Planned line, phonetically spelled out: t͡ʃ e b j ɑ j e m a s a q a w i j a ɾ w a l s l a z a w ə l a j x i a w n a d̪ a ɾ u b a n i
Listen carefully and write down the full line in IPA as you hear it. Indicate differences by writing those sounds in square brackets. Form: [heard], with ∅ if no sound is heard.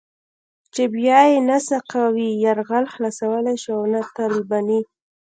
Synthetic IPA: t͡ʃ e b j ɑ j e [n] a s a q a w i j a ɾ [ɣ] a l [x] l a [s] a w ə l a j [ʃ] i a w n a [t̪] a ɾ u b a n i